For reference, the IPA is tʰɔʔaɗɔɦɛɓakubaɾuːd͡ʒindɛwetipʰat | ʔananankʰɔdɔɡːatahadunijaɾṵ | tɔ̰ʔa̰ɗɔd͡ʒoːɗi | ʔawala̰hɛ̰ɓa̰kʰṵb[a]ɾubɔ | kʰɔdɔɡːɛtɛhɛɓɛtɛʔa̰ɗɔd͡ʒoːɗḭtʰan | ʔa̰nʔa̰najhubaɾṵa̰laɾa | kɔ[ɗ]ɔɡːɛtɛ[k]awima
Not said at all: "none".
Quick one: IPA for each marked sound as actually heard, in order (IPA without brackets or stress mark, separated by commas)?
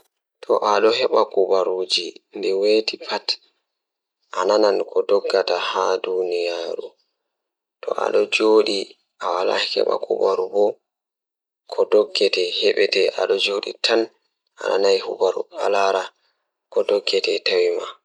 a, d, t